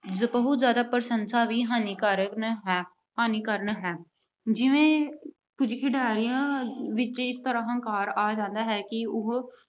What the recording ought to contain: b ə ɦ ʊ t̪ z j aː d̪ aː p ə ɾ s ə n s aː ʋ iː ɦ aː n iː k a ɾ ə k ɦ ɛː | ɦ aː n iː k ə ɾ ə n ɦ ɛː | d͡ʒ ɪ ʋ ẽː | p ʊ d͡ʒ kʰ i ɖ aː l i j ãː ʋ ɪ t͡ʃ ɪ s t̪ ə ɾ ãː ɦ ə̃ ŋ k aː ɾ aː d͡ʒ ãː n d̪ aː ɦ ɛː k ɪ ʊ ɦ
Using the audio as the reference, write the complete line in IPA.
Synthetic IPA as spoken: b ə ɦ ʊ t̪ z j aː d̪ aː p ə ɾ s ə n s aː ʋ iː ɦ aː n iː k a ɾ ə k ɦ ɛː | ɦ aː n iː k ə ɾ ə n ɦ ɛː | d͡ʒ ɪ ʋ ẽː | p ʊ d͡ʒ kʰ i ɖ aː ɾ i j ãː ʋ ɪ t͡ʃ ɪ s t̪ ə ɾ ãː ɦ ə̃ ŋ k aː ɾ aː d͡ʒ ãː n d̪ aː ɦ ɛː k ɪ ʊ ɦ

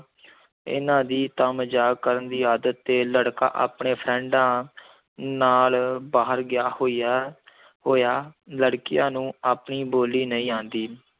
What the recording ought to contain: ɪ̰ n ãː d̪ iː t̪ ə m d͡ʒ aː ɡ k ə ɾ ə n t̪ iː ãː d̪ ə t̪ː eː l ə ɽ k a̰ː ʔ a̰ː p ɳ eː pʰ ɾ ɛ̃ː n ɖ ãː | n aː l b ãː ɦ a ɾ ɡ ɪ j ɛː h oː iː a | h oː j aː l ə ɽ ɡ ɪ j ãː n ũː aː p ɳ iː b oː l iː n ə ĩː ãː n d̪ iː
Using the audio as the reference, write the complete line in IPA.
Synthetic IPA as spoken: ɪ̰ n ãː d̪ iː t̪ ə m d͡ʒ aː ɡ k ə ɾ ə n d̪ iː aː d̪ ə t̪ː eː l ə ɽ k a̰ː ʔ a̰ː p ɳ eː pʰ ɾ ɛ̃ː ɳ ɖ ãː | n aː l b aː ɦ ə ɾ ɡ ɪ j aː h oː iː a | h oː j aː l ə ɽ k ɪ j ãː n ũː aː p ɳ iː b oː l iː n ə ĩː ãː n d̪ iː

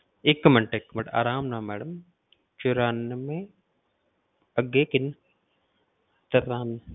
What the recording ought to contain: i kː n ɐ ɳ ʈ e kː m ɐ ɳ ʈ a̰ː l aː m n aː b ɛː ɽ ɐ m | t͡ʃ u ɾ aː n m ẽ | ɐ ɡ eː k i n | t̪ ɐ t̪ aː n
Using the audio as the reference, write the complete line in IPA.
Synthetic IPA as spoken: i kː m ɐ ɳ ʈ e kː m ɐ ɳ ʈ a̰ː ɾ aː m n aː m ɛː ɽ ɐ m | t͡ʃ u ɾ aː n m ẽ | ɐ ɡ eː k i n | t̪ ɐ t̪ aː n

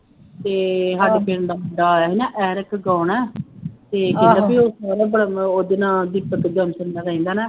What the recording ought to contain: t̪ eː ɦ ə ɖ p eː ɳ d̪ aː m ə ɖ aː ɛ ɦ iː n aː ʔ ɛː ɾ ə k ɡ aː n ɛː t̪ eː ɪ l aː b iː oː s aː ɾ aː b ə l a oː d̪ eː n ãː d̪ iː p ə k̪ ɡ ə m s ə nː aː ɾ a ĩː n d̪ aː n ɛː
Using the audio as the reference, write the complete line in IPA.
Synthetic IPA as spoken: t̪ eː ɦ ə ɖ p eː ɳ d̪ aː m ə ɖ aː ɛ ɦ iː n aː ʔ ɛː ɾ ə k ɡ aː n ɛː t̪ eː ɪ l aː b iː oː s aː ɾ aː b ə ɽ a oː d̪ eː n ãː d̪ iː p ə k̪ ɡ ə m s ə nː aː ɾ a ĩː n d̪ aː n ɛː

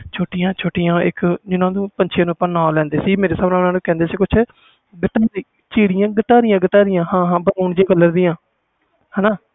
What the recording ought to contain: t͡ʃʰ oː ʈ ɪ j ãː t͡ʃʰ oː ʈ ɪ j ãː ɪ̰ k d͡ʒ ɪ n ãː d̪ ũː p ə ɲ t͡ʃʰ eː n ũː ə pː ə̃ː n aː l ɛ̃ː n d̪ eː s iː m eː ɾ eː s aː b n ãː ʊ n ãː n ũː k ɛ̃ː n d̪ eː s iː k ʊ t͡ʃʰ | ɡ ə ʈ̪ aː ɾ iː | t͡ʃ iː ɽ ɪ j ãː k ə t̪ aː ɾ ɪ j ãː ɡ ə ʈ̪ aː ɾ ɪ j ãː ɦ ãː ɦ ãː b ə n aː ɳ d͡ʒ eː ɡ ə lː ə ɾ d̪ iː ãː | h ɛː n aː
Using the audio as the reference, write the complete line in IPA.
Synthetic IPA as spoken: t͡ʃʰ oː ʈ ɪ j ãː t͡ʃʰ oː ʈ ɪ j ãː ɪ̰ k d͡ʒ ɪ n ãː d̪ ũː p ə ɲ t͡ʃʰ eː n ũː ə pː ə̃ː n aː l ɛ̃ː n d̪ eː s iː m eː ɾ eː s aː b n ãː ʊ n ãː n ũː k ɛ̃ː n d̪ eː s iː k ʊ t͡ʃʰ | ɡ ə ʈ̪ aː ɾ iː | t͡ʃ iː ɽ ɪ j ãː ɡ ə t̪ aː ɾ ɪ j ãː ɡ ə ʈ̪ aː ɾ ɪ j ãː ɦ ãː ɦ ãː b ə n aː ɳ d͡ʒ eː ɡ ə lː ə ɾ d̪ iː ãː | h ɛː n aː

